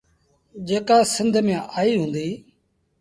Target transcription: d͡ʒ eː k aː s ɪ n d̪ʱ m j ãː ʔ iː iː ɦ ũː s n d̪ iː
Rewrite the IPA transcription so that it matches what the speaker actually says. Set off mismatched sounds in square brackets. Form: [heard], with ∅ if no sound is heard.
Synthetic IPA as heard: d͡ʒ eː k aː s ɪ n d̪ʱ m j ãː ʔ [aː] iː ɦ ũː [∅] n d̪ iː